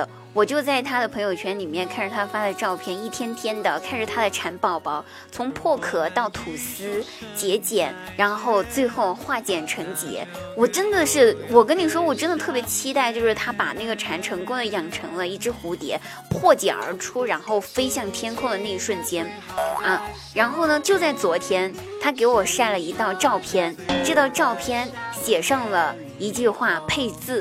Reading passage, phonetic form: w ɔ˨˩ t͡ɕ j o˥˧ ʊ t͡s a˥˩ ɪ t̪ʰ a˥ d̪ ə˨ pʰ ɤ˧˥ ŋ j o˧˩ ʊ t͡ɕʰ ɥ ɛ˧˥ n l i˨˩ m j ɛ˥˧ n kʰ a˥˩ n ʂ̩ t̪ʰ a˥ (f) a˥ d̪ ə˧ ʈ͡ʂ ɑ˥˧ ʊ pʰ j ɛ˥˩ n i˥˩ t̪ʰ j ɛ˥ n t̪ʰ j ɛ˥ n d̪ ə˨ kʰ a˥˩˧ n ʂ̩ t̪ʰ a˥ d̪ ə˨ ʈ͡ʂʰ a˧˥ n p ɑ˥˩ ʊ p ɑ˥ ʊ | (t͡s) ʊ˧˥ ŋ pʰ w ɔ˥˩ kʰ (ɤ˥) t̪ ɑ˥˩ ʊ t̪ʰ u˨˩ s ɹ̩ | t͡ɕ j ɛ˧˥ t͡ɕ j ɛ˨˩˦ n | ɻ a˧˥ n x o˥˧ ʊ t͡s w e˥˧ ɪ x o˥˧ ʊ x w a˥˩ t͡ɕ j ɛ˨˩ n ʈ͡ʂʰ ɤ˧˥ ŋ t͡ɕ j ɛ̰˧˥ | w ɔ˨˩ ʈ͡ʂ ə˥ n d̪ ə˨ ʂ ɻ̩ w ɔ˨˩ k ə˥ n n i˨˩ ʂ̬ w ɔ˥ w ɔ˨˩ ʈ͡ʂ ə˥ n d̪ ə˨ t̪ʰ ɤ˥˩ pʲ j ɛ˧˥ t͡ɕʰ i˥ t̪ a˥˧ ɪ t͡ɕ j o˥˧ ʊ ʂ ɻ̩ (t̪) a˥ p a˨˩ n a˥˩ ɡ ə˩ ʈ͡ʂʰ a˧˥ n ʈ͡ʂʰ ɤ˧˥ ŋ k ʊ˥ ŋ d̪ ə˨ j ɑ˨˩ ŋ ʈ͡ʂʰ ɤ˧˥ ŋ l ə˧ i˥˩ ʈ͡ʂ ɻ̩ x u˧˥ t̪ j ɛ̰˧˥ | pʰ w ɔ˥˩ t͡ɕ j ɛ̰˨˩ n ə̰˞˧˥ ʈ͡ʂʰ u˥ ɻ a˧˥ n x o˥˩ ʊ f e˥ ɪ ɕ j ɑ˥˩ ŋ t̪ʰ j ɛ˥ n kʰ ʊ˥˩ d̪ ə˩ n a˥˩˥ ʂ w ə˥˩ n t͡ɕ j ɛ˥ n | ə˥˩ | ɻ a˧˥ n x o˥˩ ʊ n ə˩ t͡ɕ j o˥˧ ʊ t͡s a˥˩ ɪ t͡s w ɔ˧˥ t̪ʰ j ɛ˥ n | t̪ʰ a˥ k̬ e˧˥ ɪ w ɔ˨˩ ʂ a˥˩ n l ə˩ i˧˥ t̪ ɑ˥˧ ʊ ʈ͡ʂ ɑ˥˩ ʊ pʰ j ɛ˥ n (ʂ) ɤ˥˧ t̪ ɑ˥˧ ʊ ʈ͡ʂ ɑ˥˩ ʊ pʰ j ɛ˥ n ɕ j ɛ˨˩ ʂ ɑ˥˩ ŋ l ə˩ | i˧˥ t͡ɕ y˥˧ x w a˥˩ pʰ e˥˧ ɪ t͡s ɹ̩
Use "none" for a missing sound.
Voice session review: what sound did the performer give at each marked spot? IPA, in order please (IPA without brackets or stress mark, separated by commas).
f, t͡sʰ, ɤ˨˩, t̪ʰ, ʈ͡ʂ